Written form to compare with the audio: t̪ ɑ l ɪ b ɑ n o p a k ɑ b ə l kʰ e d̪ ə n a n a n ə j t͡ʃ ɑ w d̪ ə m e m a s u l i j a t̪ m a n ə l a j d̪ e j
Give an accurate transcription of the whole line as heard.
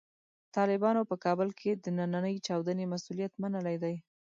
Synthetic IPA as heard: t̪ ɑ l ɪ b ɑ n o p ə k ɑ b ə l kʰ e d̪ ə n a n a n ə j t͡ʃ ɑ w d̪ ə n e m a s u l i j a t̪ m a n ə l a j d̪ a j

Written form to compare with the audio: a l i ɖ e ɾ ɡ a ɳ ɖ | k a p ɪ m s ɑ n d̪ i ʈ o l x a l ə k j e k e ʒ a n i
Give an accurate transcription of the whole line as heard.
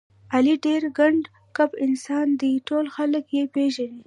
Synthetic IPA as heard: a l i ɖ e ɾ ɡ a ɳ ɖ | k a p ɪ n s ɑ n d̪ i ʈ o l x a l ə k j e p e ʒ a n i

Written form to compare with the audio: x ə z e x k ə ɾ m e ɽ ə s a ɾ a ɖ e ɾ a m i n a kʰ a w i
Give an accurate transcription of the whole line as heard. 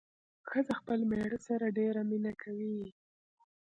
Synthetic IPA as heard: x ə z a x p ə l m e ɽ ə s a ɾ a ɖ e ɾ a m i n a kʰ a w i

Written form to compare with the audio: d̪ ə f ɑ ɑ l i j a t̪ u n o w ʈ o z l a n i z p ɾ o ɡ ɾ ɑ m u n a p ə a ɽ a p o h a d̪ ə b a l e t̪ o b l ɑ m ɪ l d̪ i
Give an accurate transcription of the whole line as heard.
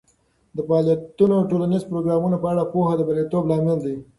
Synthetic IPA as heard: d̪ ə f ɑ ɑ l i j a t̪ u n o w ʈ o l a n i z p ɾ o ɡ ɾ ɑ m u n a p ə a ɽ a p o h a d̪ ə b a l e t̪ o b l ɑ m ɪ l d̪ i

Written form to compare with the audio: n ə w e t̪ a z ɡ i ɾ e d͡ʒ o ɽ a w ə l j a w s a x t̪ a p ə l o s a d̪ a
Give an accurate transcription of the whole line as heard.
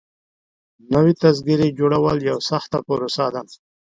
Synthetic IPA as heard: n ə w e t̪ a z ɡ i ɾ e d͡ʒ o ɽ a w ə l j a w s a x t̪ a p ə ɾ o s a d̪ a

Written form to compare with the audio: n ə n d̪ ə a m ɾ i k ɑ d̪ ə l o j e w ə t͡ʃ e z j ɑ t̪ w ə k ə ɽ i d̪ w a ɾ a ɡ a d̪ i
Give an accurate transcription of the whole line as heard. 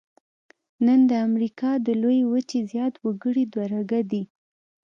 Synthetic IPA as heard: n ə n d̪ ə a m ɾ i k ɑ d̪ ə l o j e w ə t͡ʃ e z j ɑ t̪ w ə ɡ ə ɽ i d̪ w a ɾ a ɡ a d̪ i

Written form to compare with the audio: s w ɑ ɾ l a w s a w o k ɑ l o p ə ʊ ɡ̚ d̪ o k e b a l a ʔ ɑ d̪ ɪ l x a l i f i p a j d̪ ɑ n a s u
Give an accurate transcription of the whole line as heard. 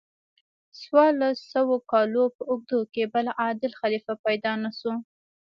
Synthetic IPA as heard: s w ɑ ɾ l a s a w o k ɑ l o p ə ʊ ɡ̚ d̪ o k e b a l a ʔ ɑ d̪ ɪ l x a l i f a p a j d̪ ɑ n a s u

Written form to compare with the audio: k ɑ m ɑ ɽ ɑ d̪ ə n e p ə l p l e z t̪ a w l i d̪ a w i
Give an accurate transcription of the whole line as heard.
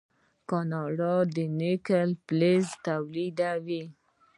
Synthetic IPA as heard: k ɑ n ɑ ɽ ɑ d̪ ə n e k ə l p l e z t̪ a w l i d̪ a w i

